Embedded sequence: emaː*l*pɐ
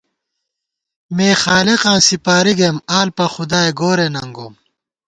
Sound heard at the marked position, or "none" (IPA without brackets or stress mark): l